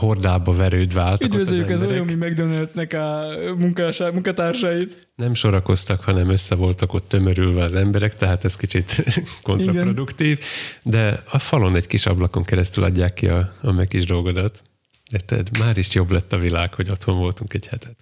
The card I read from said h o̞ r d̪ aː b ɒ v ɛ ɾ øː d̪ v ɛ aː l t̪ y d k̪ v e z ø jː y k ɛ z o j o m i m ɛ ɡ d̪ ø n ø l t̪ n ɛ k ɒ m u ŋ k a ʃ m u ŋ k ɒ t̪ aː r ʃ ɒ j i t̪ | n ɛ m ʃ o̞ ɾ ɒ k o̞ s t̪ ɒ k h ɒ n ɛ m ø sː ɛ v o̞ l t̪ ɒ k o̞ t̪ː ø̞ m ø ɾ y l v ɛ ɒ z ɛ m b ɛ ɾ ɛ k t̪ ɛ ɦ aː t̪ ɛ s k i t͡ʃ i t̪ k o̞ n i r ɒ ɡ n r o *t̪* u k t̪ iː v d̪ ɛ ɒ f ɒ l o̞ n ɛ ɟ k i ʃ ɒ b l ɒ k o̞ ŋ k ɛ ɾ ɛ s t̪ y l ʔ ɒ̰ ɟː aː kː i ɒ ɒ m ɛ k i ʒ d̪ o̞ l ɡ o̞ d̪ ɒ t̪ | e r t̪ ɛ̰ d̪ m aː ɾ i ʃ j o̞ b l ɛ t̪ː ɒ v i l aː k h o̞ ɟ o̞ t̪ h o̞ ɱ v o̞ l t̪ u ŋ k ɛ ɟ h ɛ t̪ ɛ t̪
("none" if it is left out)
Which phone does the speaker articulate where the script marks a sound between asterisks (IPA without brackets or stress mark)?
d̪